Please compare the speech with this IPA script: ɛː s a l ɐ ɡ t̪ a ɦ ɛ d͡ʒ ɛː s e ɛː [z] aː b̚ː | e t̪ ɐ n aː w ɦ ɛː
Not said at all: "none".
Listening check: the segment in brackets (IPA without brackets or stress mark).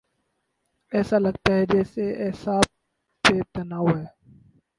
s